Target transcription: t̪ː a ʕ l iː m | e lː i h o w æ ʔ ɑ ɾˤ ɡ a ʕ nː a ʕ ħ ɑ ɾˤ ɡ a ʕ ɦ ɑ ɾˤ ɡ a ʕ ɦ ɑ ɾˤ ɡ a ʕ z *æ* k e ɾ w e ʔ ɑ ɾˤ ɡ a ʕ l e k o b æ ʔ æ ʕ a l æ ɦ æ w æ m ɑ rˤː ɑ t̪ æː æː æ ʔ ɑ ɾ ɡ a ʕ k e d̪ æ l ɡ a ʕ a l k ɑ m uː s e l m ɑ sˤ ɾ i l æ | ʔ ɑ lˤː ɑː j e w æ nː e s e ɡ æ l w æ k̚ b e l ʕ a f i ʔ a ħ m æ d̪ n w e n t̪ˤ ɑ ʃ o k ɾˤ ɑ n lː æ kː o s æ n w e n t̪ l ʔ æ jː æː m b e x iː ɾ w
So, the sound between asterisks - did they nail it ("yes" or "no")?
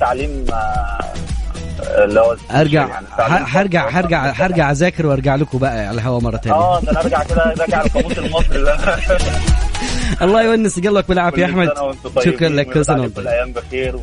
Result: no